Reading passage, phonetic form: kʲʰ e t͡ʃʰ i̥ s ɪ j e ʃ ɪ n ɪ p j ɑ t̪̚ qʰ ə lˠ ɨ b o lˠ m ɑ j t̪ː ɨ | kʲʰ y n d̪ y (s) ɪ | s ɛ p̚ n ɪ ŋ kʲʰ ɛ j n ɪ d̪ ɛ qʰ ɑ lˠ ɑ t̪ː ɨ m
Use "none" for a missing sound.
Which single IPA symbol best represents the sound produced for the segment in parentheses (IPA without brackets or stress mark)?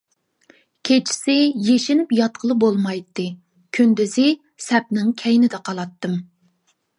z